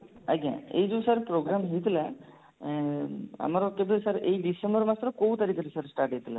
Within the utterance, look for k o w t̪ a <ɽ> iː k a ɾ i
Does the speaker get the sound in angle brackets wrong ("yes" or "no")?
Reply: yes